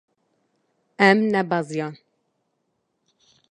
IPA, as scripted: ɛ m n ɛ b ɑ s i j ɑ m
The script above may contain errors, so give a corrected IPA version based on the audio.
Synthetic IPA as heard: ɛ m n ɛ b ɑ z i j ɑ n